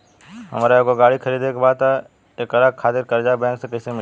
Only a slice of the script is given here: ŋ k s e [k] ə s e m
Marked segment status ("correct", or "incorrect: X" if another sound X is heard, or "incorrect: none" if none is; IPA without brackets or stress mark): correct